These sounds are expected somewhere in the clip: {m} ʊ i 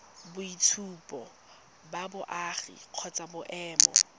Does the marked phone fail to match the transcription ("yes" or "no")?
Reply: yes